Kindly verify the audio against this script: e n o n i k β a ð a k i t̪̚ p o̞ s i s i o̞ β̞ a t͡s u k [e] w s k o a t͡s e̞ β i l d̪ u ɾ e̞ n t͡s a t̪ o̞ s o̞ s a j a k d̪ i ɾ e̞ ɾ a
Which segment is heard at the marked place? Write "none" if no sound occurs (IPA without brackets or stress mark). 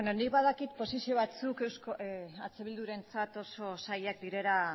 e